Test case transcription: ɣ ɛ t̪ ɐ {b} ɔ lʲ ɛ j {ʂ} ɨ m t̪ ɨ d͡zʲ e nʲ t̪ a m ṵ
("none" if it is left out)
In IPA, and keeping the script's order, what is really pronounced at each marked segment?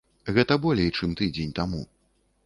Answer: b, t͡ʂ

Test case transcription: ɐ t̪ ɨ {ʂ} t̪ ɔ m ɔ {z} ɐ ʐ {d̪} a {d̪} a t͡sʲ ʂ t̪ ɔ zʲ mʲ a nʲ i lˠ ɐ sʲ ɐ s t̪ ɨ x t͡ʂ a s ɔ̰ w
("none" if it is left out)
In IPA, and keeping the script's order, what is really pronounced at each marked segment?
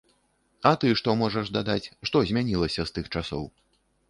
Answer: ʂ, ʐ, d̪, d̪

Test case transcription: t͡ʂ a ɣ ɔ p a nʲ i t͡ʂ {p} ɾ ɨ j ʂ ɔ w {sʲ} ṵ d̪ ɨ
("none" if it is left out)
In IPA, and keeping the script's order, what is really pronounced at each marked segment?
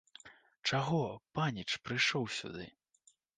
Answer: p, sʲ

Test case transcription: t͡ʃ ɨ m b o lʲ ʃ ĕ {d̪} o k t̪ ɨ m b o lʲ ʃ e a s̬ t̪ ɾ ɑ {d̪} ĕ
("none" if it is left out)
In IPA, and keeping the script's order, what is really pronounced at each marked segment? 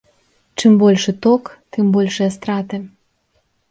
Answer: t̪, t̪

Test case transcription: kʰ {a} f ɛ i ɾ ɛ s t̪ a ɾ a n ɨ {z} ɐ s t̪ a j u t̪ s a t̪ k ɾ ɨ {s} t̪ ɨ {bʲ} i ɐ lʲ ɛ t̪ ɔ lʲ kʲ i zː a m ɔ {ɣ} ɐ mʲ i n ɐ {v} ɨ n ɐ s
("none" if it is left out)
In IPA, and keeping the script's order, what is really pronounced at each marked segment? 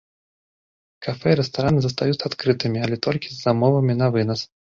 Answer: a, z, none, mʲ, v, v

